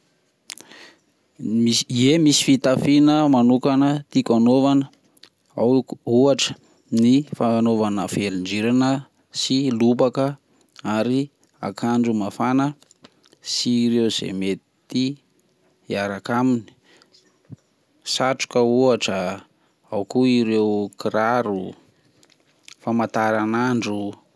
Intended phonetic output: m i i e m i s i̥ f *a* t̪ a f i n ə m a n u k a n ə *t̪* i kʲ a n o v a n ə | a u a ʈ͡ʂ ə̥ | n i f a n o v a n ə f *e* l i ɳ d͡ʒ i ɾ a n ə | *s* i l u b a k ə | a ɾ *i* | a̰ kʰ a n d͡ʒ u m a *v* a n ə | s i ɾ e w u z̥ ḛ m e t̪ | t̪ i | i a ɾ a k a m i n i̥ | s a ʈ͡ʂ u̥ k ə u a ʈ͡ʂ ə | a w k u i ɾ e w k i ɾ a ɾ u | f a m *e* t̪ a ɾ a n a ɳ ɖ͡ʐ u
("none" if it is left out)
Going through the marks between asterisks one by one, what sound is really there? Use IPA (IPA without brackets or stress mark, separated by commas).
i, t̪, e, s, i, f, a